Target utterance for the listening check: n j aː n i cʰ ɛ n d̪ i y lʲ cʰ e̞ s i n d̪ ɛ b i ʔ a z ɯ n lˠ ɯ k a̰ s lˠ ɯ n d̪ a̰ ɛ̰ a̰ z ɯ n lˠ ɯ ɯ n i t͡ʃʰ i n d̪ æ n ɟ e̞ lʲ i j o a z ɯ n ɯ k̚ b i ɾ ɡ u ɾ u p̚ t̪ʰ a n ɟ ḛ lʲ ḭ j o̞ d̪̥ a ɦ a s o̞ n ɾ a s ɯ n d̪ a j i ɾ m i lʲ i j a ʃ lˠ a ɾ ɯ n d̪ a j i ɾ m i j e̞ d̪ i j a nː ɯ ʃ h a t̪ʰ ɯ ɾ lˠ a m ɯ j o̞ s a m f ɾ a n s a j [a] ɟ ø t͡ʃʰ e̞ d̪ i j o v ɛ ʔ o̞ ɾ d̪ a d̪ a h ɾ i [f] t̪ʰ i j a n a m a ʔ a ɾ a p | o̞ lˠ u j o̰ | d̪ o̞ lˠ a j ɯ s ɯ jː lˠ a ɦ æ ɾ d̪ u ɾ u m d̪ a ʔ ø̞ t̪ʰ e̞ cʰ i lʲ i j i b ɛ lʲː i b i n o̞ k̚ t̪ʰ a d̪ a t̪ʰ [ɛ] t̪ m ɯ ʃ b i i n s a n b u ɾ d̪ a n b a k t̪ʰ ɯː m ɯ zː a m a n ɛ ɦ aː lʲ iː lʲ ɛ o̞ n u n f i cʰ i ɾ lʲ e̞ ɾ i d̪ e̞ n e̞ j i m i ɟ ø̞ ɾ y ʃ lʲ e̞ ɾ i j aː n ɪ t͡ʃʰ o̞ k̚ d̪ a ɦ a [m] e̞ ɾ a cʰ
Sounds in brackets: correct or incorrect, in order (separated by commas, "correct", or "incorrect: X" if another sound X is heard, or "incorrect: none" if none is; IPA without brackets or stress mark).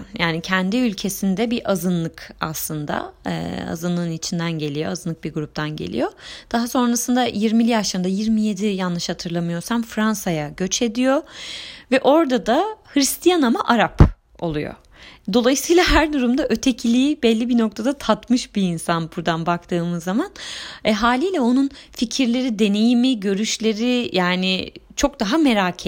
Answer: correct, incorrect: s, incorrect: a, correct